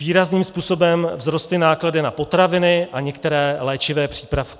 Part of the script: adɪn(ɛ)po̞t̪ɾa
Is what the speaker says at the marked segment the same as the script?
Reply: no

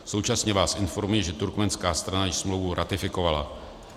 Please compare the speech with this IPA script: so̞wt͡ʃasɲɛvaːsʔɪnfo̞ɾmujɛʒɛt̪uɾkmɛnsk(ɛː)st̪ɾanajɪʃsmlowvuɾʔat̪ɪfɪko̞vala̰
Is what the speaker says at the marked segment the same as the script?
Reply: no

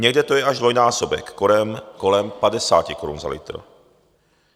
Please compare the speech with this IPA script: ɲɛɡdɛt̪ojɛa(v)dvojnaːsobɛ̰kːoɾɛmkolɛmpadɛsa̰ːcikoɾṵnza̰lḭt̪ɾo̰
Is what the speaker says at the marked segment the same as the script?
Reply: no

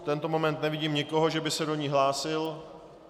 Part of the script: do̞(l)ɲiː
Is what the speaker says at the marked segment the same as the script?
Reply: no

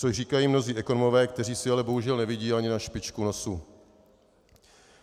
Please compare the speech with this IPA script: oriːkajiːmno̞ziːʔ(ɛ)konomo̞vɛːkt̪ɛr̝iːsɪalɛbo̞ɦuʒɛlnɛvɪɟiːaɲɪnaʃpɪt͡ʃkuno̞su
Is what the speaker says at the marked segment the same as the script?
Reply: yes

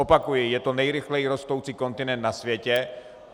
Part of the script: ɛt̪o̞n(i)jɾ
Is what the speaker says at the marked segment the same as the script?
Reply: no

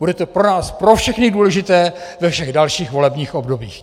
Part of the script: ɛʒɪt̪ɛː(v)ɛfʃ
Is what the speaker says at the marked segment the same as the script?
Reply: yes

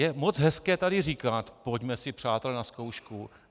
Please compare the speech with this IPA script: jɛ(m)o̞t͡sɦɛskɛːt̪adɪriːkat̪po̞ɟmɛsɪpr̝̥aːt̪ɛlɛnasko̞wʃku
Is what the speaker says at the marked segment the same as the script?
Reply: yes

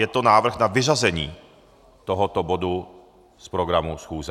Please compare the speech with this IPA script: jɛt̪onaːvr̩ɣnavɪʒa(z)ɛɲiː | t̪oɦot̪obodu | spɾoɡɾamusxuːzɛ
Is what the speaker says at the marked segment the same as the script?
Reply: yes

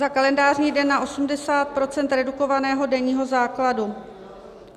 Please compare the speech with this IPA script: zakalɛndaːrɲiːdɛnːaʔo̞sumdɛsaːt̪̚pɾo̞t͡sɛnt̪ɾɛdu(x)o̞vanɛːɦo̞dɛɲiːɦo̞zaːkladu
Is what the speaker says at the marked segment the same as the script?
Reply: no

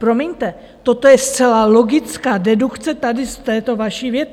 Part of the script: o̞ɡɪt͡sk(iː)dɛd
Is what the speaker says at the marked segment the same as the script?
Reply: no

